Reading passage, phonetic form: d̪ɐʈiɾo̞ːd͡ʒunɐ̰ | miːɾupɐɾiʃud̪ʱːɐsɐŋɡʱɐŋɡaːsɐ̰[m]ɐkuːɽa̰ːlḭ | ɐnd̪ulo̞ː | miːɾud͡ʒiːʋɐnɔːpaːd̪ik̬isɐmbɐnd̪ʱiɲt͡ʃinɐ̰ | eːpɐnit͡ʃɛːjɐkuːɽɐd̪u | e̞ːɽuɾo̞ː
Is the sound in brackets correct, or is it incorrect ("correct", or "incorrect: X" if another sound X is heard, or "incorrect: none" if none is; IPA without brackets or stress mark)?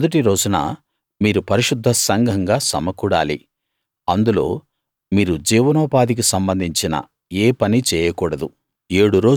correct